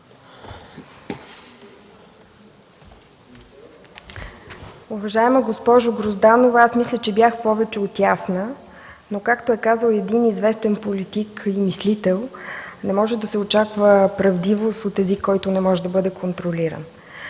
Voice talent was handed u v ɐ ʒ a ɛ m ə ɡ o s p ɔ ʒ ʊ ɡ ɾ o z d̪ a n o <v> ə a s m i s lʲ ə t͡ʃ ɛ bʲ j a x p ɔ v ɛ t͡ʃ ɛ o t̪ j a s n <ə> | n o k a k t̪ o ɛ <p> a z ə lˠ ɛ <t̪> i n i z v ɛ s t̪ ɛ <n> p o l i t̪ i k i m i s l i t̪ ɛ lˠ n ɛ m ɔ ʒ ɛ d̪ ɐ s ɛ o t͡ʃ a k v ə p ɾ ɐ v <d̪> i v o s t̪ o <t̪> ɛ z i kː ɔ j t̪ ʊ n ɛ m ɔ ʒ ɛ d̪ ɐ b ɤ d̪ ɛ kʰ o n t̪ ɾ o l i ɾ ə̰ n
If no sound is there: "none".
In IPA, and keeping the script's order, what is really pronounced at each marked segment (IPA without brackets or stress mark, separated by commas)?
v, ə, k, d̪, n, d̪, t̪